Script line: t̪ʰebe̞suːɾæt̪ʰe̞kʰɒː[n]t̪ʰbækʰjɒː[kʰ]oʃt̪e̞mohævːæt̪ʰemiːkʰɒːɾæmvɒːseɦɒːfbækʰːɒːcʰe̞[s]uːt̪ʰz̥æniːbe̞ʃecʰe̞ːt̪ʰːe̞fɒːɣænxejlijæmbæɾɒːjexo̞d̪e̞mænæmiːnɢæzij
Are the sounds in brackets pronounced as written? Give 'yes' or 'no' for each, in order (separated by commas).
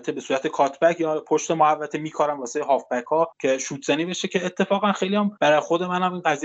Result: no, no, no